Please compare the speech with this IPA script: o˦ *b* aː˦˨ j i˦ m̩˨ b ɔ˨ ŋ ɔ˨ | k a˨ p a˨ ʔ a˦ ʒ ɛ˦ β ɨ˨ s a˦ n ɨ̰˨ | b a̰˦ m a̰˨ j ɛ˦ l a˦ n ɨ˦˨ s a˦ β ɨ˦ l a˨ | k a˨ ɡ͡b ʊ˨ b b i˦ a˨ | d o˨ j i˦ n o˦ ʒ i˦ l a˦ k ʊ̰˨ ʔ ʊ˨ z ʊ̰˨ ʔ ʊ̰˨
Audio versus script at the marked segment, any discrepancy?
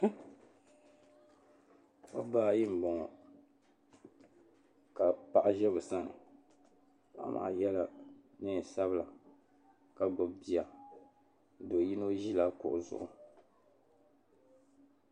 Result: no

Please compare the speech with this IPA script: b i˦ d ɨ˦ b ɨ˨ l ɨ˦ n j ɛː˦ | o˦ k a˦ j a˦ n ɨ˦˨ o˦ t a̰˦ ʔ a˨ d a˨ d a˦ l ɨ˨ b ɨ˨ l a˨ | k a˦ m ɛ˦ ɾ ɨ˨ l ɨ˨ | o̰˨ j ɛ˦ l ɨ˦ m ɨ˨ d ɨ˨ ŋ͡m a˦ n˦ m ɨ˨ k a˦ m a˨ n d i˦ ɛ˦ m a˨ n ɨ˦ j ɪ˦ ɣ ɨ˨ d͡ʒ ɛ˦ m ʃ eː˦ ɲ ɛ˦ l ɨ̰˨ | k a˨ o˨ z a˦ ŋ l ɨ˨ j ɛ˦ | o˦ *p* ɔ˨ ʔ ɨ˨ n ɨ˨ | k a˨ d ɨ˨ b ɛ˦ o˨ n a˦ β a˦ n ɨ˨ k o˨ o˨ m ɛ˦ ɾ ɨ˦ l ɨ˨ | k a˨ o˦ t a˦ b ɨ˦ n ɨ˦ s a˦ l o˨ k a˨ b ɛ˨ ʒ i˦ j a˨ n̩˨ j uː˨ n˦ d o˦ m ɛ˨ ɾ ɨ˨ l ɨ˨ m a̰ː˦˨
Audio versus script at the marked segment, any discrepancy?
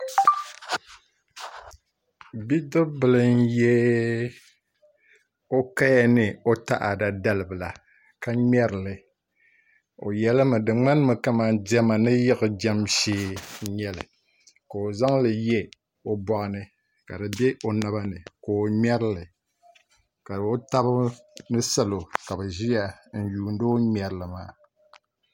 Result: yes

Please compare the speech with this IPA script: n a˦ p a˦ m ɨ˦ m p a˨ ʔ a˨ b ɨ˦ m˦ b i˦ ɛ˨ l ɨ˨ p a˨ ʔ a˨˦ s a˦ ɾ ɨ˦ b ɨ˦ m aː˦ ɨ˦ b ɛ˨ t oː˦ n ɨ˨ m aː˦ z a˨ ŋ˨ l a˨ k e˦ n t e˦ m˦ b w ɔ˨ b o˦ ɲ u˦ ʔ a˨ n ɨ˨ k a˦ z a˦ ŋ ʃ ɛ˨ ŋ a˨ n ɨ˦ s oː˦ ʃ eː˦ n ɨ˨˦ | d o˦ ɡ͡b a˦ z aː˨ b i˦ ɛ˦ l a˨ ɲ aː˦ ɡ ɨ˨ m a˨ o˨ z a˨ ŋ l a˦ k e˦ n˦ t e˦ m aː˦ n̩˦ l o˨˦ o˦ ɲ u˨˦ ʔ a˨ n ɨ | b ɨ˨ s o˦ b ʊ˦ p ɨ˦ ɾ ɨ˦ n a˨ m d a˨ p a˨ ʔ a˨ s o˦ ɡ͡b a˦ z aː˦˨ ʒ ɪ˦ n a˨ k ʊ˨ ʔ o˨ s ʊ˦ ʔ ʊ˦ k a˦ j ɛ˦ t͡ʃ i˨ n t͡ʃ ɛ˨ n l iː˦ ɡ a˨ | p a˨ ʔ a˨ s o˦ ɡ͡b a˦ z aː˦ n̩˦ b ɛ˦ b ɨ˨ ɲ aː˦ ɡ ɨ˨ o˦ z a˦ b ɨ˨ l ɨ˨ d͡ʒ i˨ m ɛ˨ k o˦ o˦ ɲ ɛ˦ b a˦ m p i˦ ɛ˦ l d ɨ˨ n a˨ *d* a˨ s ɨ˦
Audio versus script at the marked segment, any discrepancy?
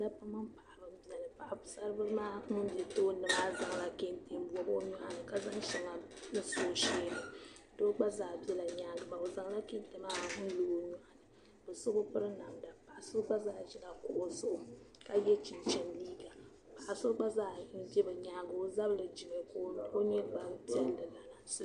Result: yes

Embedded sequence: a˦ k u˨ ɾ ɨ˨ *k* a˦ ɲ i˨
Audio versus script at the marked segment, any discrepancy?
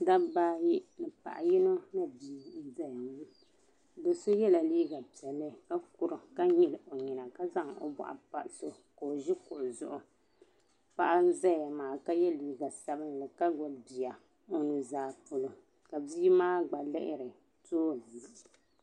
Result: no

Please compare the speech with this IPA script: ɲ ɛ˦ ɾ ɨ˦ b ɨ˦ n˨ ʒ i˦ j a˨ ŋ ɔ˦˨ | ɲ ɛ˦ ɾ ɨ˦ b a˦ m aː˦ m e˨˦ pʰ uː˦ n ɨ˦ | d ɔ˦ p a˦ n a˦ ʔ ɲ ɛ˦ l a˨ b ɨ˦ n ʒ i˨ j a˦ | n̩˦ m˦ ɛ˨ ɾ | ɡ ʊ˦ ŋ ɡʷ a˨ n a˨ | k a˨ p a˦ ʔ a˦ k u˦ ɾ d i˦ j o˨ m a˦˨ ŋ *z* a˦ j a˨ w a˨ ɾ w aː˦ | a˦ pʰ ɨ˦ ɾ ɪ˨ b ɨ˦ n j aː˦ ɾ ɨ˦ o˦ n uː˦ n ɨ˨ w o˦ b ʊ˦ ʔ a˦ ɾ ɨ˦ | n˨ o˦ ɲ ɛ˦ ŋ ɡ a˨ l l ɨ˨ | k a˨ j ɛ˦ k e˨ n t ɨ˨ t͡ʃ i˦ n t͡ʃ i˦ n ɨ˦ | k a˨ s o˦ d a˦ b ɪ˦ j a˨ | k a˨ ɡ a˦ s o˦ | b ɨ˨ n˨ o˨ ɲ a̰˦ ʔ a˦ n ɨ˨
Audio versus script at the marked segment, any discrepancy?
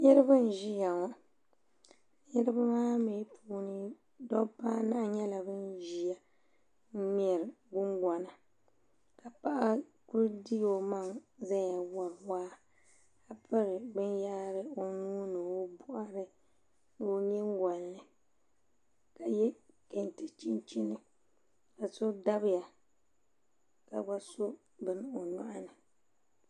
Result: no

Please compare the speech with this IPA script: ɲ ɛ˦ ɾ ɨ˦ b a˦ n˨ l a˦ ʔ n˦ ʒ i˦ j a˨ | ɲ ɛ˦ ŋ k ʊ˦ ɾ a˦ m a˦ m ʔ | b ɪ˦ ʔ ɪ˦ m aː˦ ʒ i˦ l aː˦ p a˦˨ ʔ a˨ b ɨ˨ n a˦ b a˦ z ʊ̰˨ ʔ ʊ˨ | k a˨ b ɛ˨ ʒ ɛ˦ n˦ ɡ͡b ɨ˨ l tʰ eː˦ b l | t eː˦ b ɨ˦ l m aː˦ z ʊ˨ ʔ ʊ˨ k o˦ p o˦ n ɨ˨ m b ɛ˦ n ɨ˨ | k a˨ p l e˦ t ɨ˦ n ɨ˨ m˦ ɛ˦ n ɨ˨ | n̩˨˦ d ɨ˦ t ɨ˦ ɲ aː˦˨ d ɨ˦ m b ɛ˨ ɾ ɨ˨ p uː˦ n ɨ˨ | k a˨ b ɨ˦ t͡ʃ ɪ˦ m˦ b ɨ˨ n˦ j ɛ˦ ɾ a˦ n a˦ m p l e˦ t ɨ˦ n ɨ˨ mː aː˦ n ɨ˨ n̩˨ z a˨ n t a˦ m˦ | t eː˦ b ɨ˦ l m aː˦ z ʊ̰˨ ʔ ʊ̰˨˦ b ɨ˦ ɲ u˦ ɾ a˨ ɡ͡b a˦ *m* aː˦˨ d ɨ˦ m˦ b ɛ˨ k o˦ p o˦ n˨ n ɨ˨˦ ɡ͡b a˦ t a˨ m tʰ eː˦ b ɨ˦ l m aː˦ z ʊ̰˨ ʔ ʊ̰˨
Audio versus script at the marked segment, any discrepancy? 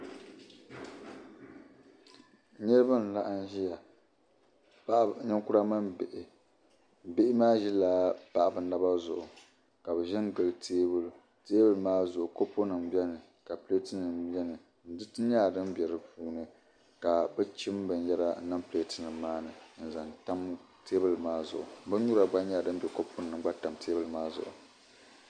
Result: yes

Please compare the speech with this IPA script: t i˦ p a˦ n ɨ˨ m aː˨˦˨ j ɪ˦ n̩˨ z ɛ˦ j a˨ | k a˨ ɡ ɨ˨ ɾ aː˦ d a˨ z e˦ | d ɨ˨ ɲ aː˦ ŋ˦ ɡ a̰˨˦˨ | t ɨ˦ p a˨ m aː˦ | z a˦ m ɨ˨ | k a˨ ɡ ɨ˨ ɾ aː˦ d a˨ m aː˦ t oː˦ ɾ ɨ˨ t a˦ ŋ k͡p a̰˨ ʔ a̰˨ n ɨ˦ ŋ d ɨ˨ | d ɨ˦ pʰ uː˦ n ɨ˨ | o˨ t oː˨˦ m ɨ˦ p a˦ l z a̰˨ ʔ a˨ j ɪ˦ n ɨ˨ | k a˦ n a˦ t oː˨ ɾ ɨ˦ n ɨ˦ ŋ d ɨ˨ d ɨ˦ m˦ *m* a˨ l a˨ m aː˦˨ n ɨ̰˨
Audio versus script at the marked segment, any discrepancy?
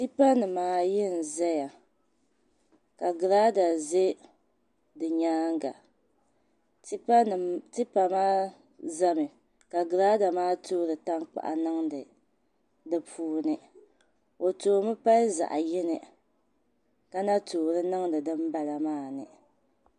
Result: yes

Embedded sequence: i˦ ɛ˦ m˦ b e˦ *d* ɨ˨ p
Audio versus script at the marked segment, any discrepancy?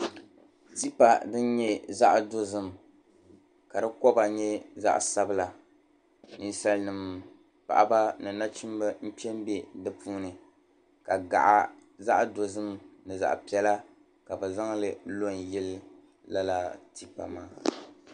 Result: no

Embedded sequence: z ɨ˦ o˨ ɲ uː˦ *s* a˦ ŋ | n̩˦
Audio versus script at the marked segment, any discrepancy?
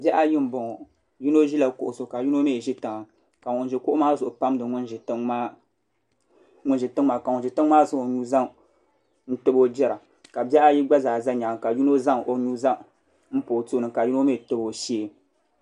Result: yes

